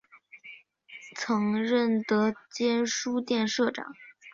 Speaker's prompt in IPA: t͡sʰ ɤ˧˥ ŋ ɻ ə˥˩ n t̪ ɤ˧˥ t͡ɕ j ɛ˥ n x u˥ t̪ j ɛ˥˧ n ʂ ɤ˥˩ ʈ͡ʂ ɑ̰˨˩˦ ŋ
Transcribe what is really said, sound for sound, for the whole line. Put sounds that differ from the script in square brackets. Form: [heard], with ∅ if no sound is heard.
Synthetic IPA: t͡sʰ ɤ˧˥ ŋ ɻ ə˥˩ n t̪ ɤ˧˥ t͡ɕ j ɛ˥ n [ʂ] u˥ t̪ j ɛ˥˧ n ʂ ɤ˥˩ ʈ͡ʂ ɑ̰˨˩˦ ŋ